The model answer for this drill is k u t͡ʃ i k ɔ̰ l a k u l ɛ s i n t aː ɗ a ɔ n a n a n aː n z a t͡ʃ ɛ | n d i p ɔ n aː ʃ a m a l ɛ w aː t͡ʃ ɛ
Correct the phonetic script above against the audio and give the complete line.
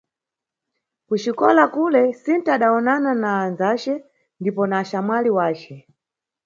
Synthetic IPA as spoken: k u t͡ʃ i k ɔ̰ l a k u l ɛ s i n t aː ɗ a ɔ n a n a n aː n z a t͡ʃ ɛ | n d i p ɔ n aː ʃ a m a l i w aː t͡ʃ ɛ